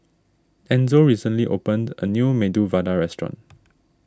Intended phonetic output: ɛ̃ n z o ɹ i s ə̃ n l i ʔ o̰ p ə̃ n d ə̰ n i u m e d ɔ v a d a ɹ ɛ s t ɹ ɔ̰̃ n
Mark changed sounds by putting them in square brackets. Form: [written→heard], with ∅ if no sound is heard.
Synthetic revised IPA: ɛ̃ n z o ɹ i s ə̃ n l i ʔ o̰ p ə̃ n d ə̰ n [i→j] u m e d [ɔ→u] v a d a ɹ ɛ s t ɹ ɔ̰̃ n